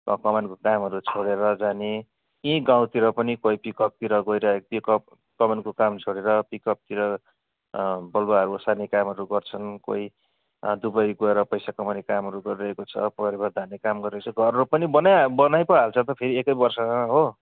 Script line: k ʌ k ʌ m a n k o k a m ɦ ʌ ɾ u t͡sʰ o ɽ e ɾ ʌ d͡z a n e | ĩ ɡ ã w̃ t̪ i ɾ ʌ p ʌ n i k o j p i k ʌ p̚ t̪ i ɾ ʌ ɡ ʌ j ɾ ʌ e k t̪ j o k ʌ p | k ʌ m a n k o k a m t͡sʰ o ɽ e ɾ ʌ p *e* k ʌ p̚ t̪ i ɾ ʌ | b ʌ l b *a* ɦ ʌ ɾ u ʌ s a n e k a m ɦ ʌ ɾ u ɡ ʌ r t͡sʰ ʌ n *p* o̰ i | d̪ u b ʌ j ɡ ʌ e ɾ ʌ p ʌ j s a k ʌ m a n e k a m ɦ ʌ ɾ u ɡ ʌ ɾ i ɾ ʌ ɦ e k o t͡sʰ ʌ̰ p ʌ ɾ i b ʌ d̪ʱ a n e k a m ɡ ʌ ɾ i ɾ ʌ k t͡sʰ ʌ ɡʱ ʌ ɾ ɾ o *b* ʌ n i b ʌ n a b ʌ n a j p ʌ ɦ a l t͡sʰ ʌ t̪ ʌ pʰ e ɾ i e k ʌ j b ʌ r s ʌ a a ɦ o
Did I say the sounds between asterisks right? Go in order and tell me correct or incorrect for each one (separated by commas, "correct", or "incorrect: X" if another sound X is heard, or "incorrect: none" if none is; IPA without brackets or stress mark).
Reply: incorrect: i, correct, incorrect: k, incorrect: p